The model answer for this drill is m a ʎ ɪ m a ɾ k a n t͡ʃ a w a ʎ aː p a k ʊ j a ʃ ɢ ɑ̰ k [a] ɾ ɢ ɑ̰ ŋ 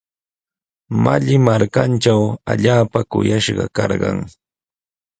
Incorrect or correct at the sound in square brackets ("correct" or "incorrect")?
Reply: incorrect